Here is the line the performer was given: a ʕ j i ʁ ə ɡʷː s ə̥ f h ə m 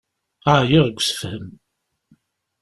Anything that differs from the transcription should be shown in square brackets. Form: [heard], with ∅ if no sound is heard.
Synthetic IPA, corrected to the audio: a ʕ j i ʁ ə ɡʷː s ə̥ f h ə m